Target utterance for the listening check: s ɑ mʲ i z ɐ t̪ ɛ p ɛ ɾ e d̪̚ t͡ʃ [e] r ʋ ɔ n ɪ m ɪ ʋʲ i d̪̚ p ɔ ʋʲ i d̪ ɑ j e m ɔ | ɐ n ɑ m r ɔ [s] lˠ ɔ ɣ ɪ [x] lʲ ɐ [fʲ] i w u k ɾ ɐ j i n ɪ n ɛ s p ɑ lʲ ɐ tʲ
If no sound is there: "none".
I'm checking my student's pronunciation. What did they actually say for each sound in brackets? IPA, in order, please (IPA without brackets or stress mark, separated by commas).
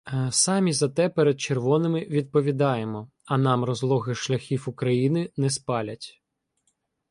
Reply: e, z, ʃ, xʲ